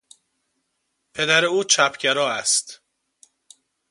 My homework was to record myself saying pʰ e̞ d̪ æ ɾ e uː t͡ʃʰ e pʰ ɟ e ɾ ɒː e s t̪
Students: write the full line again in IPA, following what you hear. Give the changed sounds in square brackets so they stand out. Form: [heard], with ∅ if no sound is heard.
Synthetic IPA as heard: pʰ e̞ d̪ æ ɾ e uː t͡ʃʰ [æ] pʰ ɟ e ɾ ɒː [æ] s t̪